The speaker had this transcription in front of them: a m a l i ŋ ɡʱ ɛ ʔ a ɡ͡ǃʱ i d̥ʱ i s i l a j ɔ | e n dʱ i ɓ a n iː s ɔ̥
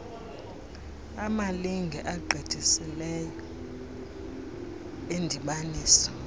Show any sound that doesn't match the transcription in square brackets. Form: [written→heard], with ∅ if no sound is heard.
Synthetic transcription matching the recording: a m a l i ŋ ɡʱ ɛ ʔ a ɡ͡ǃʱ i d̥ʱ i s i l [a→ɛ] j ɔ | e n dʱ i ɓ a n iː s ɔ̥